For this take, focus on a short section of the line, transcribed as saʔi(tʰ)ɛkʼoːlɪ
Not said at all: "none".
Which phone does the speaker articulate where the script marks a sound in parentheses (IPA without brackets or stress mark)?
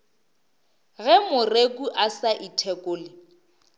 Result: tʰ